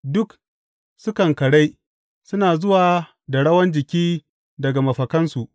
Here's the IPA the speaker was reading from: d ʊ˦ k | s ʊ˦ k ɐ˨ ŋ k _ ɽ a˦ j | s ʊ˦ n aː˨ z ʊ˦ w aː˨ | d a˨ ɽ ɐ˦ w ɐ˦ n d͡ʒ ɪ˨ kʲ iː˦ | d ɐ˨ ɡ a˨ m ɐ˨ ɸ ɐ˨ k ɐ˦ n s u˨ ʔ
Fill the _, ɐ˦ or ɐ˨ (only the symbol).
ɐ˨